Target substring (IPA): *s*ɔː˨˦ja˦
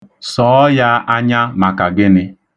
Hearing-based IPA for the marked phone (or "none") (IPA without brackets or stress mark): s